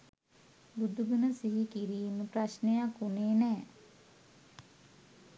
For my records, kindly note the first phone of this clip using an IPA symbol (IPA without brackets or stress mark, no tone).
b